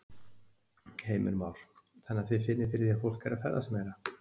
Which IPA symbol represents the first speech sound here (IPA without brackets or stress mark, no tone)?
h